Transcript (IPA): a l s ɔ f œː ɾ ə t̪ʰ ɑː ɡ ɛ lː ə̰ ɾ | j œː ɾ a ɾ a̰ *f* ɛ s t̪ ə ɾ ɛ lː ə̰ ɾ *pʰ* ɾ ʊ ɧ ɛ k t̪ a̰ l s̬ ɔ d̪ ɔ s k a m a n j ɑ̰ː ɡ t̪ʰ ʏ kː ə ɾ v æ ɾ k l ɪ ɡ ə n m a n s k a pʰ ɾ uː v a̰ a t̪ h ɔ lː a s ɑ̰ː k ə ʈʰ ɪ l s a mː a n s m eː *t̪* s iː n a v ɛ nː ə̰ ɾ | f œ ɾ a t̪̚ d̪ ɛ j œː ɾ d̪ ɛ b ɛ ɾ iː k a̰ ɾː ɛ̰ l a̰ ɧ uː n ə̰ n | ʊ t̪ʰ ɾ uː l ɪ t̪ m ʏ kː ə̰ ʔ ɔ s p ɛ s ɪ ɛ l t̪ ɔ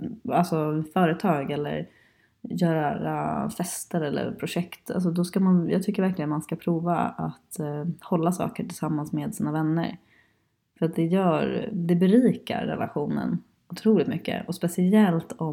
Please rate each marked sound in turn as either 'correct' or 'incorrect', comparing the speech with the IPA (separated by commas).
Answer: correct, correct, incorrect